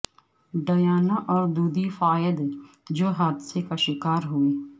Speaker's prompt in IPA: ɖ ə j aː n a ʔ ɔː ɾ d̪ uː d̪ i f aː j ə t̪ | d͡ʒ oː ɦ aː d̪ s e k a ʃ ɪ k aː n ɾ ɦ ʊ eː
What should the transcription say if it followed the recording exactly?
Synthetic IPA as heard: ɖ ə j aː n a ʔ ɔː ɾ d̪ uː d̪ i f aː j ə d̪ | d͡ʒ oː ɦ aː d̪ s e k a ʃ ɪ k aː ɾ ɦ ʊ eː